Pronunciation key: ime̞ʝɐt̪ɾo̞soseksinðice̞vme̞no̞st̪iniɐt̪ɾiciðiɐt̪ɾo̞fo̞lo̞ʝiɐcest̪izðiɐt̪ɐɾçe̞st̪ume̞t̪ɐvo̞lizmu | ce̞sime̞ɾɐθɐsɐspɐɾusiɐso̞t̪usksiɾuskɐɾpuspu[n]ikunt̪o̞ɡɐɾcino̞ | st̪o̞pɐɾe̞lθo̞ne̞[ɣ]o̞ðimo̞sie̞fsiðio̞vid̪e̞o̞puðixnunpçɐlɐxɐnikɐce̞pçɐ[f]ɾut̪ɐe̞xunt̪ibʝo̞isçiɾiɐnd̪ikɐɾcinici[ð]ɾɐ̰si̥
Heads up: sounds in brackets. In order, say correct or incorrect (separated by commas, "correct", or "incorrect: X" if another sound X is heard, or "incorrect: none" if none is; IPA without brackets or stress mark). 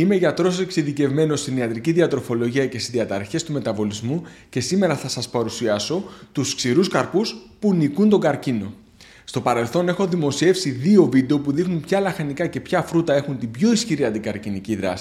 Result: correct, incorrect: x, correct, correct